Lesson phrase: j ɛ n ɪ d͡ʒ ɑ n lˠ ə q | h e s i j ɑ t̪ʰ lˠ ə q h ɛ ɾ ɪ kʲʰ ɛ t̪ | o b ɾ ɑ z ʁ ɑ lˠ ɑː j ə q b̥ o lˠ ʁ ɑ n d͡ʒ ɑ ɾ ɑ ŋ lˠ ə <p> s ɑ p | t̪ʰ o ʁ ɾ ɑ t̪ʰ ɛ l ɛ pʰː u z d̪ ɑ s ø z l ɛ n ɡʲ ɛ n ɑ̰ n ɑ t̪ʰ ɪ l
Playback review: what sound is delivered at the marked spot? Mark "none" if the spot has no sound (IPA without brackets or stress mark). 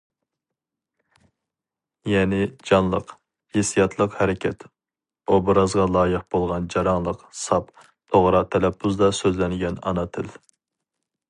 q